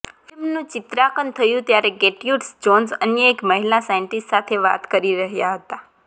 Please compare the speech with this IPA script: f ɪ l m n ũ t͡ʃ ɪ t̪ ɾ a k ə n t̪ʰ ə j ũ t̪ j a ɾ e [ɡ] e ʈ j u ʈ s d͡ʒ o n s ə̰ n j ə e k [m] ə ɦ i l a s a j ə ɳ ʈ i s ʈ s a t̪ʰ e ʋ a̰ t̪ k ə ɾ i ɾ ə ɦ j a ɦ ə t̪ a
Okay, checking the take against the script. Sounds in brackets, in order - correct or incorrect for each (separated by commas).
correct, correct